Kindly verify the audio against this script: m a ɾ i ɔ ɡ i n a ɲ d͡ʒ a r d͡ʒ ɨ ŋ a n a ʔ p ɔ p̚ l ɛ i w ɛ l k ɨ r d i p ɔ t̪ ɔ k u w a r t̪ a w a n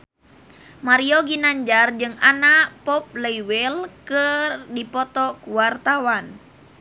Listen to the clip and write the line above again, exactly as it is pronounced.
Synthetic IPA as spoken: m a ɾ i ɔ ɡ i n a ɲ d͡ʒ a r d͡ʒ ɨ ŋ a n a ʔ p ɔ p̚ l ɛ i w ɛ l k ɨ r d i p ɔ t̪ ɔ k u w a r t̪ a w a n